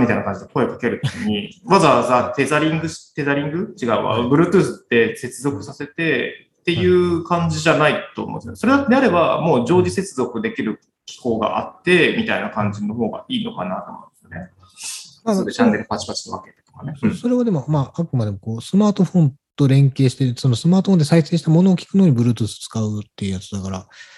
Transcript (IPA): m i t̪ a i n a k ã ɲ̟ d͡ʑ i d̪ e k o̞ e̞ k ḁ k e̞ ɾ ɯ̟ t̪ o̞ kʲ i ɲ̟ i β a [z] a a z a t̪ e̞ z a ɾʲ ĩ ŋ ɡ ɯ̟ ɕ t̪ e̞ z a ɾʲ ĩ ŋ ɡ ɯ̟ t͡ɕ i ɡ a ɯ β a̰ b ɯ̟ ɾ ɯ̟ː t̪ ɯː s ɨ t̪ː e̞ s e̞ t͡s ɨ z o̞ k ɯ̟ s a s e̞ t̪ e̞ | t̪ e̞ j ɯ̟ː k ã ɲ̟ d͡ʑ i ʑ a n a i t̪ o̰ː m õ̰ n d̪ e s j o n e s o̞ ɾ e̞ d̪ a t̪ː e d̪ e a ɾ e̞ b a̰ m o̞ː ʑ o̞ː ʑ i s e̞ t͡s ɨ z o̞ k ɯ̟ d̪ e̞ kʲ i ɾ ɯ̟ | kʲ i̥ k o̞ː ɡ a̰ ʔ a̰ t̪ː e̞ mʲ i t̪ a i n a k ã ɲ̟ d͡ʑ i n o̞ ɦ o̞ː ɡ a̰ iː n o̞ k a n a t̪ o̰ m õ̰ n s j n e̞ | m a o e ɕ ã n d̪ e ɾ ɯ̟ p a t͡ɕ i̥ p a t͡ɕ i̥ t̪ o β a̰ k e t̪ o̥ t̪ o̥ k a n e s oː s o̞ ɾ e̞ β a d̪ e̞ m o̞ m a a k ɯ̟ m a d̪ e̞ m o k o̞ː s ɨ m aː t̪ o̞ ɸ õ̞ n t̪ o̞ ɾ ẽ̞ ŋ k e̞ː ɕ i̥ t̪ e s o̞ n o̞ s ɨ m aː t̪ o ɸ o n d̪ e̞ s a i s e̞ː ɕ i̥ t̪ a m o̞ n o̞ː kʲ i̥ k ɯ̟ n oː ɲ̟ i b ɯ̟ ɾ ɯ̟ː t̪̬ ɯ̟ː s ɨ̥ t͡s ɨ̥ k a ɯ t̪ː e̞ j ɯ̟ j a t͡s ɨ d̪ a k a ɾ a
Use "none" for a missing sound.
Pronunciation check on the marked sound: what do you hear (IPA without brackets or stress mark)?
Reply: z